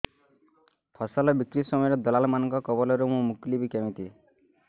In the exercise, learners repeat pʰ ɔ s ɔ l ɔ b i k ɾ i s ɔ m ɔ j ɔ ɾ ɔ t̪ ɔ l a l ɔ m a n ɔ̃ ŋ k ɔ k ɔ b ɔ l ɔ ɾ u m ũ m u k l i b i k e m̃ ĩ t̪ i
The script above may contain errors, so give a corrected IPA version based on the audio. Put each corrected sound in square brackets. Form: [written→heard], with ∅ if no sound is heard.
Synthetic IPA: pʰ ɔ s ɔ l ɔ b i k ɾ i s ɔ m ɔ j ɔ ɾ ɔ [t̪→d̪] ɔ l a l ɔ m a n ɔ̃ ŋ k ɔ k ɔ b ɔ l ɔ ɾ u m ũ m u k l i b i k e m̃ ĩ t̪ i